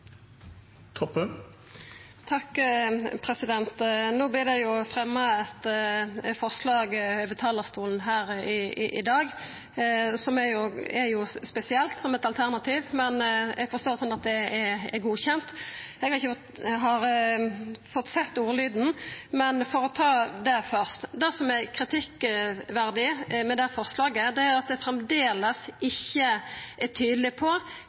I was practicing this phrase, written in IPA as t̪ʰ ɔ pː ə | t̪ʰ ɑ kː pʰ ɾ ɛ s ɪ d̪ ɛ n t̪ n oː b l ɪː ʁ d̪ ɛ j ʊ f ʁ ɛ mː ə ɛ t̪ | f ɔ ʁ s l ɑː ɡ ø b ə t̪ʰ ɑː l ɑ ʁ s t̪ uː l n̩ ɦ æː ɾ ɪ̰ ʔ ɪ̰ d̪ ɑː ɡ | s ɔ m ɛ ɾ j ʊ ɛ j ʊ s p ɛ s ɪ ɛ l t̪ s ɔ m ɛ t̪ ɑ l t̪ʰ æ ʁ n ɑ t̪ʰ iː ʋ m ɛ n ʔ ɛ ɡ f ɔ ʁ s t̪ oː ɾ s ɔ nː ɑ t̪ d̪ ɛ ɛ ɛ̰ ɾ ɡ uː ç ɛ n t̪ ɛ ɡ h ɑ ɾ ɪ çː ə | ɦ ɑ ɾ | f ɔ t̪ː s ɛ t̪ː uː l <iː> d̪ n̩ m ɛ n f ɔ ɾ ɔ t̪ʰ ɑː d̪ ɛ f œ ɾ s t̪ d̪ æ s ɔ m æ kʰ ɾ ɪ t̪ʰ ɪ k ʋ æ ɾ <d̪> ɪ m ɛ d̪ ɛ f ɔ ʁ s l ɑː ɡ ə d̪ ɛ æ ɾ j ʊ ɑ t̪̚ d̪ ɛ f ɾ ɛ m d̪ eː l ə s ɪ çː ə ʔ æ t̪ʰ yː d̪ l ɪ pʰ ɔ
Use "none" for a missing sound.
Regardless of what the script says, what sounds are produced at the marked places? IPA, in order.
yː, d̪

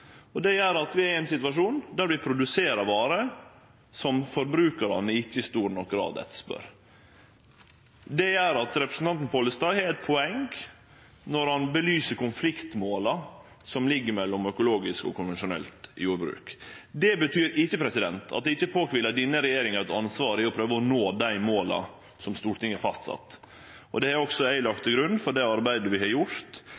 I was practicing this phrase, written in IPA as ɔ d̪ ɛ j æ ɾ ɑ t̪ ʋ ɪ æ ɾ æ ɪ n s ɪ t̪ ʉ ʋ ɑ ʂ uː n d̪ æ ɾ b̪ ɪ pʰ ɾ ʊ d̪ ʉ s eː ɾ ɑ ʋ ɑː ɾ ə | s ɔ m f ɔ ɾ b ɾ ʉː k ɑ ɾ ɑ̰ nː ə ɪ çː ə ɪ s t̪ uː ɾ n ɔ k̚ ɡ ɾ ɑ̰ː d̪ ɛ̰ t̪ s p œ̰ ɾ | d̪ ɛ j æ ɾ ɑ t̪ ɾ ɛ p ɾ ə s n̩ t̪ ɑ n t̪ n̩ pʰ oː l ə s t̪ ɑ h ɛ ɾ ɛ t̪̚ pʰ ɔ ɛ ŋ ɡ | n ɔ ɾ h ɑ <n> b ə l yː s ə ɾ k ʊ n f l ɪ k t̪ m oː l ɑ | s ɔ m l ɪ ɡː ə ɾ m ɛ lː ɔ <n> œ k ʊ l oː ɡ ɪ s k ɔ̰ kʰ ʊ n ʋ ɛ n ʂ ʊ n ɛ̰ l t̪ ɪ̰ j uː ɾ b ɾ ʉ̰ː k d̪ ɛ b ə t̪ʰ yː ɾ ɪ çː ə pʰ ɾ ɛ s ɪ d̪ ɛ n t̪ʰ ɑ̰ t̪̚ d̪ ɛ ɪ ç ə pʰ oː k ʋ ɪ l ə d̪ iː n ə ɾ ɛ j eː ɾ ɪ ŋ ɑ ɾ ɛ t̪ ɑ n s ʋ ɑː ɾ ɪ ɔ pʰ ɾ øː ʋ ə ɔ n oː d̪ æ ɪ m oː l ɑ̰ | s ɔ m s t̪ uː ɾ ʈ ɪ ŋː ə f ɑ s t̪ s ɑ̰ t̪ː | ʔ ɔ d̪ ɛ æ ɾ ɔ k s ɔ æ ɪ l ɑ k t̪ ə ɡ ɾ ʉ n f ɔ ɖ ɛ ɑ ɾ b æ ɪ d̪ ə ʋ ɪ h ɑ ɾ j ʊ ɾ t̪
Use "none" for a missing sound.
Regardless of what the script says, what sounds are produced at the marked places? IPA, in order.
n, m

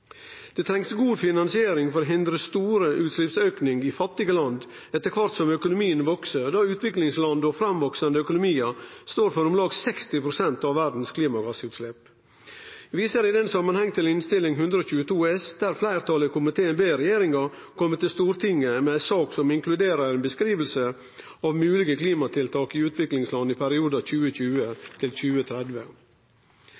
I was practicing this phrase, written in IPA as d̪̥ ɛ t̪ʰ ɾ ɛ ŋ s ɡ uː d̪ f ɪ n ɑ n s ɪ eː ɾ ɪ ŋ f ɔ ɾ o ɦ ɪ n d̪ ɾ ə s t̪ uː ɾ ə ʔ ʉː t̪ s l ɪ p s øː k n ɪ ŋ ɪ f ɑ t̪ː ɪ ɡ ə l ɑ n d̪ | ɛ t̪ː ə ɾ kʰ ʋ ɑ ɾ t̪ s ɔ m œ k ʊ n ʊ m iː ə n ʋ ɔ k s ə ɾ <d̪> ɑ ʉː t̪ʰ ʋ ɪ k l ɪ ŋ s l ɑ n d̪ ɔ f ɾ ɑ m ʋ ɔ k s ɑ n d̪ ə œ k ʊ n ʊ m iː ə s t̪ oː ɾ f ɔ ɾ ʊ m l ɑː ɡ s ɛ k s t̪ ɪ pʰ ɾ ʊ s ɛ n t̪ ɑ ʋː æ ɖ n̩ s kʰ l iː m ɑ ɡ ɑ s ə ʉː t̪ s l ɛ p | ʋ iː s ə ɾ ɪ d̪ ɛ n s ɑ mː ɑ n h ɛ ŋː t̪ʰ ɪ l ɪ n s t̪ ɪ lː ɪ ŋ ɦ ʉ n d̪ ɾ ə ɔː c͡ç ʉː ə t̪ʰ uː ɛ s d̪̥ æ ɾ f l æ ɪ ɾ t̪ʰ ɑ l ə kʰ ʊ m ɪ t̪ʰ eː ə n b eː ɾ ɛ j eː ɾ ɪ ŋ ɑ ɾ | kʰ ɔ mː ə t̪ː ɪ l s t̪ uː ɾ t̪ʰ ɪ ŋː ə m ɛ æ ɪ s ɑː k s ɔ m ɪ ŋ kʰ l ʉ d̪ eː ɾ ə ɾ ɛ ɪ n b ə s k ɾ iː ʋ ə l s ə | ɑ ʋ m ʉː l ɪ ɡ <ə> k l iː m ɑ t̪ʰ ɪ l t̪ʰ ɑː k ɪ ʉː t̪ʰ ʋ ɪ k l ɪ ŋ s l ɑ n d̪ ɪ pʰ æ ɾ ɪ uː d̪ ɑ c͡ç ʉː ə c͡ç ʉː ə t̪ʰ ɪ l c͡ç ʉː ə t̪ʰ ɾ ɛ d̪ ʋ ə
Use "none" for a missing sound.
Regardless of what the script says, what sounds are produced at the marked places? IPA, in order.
d̪, ə

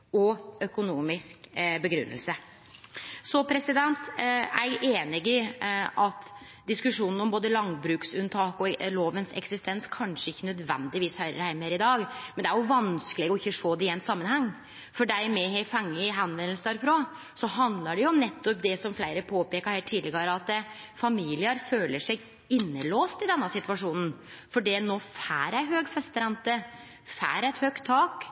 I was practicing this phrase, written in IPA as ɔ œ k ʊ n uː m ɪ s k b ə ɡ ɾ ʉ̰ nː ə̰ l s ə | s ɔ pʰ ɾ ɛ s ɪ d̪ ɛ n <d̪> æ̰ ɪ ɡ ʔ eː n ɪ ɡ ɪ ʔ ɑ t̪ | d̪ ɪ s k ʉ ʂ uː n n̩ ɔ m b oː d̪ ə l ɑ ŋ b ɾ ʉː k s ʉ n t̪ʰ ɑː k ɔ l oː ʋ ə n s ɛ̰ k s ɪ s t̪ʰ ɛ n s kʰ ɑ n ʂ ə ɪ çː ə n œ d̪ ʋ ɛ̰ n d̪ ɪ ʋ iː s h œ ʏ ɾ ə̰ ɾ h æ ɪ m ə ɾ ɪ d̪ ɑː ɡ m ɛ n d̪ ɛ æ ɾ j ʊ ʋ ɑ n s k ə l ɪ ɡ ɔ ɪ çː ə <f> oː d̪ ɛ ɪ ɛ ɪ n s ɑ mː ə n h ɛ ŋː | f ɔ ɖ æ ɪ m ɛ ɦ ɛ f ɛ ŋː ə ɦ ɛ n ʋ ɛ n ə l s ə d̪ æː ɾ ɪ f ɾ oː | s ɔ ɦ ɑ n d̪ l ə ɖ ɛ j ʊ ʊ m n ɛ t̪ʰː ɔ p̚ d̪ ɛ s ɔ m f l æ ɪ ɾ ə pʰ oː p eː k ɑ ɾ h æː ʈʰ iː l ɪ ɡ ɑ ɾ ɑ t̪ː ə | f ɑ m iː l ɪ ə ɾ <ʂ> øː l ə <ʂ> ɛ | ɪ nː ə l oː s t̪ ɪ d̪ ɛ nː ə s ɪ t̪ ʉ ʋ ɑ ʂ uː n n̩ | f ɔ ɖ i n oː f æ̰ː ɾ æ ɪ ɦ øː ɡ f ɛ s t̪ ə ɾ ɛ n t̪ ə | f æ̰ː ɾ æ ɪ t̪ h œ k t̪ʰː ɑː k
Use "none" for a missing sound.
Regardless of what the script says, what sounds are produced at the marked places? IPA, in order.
t̪, ʂ, f, ʂ

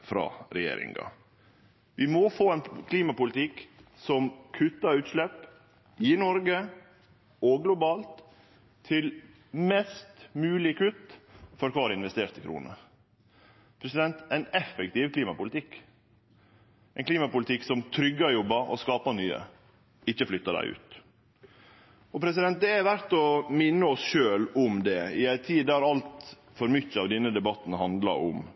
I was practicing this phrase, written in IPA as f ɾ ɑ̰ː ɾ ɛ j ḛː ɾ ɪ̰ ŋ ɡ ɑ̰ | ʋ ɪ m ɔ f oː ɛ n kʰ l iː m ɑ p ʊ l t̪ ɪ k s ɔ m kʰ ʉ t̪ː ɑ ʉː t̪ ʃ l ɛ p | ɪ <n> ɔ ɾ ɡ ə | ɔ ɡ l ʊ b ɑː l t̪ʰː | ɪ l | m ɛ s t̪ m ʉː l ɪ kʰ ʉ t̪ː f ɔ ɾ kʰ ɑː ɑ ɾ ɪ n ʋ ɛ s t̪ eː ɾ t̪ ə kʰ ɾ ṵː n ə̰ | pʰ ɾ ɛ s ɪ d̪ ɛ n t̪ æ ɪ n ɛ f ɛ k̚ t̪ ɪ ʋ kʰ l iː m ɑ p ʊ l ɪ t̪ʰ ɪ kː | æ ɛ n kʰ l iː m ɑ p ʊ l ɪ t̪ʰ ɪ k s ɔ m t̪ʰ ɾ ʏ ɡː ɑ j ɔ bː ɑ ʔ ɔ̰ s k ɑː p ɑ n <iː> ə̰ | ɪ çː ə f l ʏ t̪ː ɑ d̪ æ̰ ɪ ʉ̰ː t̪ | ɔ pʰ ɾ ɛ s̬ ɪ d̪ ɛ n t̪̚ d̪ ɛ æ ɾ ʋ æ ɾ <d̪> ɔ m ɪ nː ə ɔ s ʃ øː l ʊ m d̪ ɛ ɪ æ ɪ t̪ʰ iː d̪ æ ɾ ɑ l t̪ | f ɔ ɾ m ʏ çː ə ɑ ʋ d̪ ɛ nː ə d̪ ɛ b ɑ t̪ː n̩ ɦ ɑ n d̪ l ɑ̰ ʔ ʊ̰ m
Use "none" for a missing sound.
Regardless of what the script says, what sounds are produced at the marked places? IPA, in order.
n, yː, t̪

